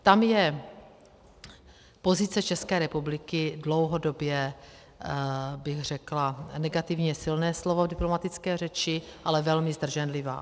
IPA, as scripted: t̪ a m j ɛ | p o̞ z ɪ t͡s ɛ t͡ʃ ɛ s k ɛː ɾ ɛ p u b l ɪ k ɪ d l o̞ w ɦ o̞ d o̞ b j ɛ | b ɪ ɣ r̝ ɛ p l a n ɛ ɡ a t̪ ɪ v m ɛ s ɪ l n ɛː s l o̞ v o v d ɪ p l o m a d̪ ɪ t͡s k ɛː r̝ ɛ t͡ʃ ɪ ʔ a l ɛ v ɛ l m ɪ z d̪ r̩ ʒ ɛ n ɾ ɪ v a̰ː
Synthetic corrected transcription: t̪ a m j ɛ | p o̞ z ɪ t͡s ɛ t͡ʃ ɛ s k ɛː ɾ ɛ p u b l ɪ k ɪ d l o̞ w ɦ o̞ d o̞ b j ɛ | b ɪ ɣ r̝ ɛ k l a n ɛ ɡ a t̪ ɪ v ɲ ɛ s ɪ l n ɛː s l o̞ v o v d ɪ p l o m a t̪ ɪ t͡s k ɛː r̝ ɛ t͡ʃ ɪ ʔ a l ɛ v ɛ l m ɪ z d̪ r̩ ʒ ɛ n l ɪ v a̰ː